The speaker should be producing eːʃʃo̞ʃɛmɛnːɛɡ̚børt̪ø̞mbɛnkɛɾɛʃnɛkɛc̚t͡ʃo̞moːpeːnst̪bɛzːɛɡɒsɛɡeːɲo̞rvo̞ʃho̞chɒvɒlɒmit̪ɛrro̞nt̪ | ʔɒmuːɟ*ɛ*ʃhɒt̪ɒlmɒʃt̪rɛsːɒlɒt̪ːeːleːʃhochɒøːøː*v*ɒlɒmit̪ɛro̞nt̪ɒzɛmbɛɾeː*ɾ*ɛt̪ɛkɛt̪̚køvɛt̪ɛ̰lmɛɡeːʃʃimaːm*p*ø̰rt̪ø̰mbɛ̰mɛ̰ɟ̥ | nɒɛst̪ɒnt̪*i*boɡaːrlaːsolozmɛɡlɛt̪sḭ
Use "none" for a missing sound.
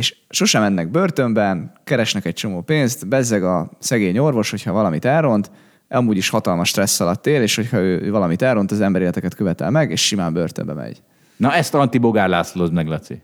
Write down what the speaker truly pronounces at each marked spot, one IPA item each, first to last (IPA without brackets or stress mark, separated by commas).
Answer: i, v, l, b, i